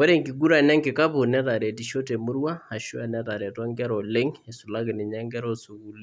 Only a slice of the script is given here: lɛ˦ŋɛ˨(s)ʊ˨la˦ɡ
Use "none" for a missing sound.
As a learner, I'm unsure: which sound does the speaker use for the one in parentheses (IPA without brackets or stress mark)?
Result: s